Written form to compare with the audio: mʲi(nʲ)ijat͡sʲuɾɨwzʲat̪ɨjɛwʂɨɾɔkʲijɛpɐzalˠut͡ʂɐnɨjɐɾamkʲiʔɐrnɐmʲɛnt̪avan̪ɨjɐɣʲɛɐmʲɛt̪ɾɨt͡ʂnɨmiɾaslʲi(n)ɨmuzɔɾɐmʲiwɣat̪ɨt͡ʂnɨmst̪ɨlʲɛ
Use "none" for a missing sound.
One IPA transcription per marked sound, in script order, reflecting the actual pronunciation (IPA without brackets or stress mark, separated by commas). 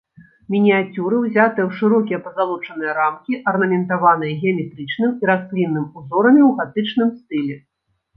nʲ, nː